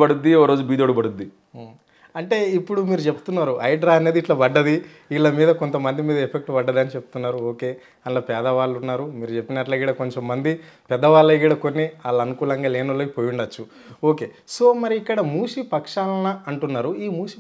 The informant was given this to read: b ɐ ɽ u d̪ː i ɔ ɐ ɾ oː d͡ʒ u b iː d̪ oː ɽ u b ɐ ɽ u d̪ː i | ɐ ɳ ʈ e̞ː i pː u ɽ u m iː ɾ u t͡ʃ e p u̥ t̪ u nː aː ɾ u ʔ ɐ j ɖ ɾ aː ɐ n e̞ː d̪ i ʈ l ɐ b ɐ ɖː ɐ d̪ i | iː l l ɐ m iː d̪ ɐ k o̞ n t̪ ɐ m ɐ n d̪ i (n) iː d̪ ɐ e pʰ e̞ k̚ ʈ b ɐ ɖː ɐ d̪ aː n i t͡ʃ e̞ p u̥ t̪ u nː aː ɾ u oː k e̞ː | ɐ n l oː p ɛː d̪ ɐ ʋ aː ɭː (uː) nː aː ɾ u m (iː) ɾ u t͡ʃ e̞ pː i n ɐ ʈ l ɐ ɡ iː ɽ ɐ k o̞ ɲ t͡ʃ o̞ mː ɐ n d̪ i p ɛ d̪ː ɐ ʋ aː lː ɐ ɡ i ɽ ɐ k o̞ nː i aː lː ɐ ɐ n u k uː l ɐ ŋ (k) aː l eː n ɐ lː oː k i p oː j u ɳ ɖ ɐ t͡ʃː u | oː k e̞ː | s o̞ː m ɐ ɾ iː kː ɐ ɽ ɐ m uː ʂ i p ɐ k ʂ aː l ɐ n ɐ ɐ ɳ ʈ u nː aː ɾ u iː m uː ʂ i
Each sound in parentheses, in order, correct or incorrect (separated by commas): incorrect, incorrect, correct, incorrect